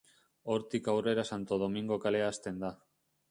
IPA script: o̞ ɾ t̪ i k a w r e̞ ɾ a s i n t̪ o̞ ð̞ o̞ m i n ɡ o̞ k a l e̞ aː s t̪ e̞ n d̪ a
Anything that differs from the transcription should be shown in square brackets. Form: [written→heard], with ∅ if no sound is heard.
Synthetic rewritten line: o̞ ɾ t̪ i k a w r e̞ ɾ a s [i→a] n t̪ o̞ ð̞ o̞ m i [n→ŋ] ɡ o̞ k a l e̞ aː s t̪ e̞ n d̪ a